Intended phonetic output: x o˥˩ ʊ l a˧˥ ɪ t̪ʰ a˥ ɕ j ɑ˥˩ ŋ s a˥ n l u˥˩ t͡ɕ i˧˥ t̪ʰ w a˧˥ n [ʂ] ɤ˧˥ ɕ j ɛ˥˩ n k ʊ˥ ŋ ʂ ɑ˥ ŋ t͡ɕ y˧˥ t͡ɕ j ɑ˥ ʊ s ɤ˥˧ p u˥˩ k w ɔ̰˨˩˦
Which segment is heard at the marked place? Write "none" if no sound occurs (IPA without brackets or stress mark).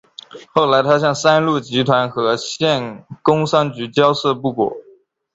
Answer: x